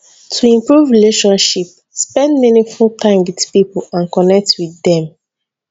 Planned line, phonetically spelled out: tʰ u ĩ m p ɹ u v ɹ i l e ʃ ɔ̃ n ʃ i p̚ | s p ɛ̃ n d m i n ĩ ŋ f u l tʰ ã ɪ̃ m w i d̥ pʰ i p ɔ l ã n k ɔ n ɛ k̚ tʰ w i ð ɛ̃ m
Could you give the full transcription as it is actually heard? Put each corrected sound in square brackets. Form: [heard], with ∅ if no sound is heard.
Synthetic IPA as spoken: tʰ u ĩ m p ɹ u v ɹ i l e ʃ ɔ̃ n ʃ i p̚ | s p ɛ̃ n d m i n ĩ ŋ f u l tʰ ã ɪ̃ m w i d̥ [p] i p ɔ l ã n k ɔ n ɛ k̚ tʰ w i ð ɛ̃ m